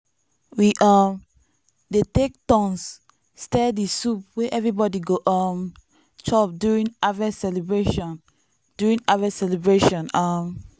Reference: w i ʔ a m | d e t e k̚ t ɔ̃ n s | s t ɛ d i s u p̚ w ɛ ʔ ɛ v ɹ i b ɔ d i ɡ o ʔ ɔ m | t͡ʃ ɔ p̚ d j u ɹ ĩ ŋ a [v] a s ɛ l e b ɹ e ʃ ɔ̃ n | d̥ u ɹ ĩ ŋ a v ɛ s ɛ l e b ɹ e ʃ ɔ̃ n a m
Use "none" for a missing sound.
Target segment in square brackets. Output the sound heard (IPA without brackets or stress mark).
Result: v